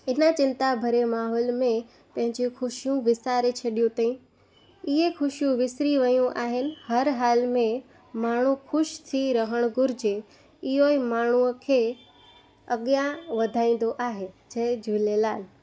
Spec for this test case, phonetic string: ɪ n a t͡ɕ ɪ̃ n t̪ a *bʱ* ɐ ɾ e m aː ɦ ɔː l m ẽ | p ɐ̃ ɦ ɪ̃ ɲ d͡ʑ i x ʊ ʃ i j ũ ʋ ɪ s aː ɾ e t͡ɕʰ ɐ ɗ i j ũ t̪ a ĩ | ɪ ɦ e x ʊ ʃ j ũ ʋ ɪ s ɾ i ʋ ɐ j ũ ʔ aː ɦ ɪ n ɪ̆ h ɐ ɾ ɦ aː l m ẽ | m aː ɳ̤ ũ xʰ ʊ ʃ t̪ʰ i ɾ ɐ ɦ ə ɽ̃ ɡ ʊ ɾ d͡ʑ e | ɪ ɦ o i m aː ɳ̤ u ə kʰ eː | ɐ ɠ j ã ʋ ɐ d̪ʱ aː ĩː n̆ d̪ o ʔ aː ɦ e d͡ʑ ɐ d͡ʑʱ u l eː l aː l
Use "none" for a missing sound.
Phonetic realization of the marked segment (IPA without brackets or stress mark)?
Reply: bʱ